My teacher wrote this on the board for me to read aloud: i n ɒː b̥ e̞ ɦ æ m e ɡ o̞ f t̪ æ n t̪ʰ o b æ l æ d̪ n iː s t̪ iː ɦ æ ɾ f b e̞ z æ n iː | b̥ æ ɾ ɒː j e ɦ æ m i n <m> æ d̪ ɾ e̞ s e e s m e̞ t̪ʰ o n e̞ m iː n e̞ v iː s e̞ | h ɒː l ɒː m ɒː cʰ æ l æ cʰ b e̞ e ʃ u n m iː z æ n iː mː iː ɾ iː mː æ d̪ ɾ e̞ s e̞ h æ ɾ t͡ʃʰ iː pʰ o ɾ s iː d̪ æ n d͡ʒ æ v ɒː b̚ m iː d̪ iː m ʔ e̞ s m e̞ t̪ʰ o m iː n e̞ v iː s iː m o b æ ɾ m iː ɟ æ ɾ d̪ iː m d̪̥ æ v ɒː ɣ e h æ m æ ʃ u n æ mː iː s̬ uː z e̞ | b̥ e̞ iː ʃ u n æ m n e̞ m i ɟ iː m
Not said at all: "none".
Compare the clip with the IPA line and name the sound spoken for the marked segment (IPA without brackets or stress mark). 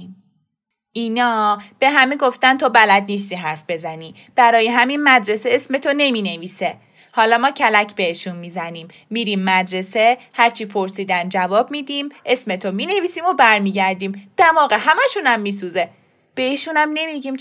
m